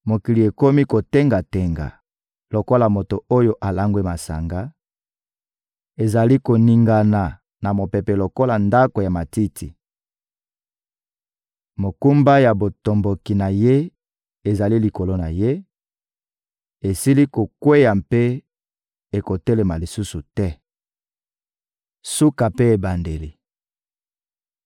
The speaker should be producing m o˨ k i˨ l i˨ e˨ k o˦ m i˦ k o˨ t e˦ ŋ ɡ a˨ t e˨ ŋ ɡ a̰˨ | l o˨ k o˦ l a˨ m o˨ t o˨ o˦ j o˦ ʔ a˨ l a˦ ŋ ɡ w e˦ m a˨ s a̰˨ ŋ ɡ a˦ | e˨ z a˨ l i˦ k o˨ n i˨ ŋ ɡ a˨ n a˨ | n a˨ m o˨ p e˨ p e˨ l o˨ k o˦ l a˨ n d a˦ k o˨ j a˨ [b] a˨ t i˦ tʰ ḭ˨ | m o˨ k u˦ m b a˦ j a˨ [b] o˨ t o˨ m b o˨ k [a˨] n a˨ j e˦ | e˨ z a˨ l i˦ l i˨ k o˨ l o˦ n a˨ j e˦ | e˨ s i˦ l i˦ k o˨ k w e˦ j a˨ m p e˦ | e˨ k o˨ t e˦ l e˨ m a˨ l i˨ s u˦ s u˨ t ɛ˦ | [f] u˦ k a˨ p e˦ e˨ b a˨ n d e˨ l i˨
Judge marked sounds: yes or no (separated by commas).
no, yes, no, no